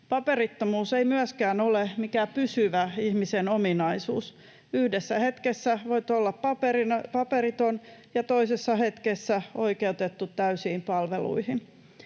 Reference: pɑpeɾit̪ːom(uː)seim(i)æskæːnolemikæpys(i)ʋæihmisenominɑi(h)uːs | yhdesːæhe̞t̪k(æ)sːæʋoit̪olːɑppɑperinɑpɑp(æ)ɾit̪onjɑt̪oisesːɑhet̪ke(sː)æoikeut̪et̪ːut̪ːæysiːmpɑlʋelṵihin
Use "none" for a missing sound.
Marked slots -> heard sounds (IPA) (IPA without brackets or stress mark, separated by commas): uː, y, y, s, e, e, sː